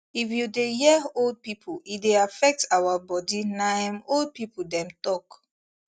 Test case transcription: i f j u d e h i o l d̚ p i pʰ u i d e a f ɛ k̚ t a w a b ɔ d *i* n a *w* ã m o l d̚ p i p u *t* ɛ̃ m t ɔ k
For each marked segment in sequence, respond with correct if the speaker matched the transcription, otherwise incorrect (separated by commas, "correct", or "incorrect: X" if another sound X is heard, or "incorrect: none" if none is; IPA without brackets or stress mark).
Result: correct, incorrect: none, incorrect: d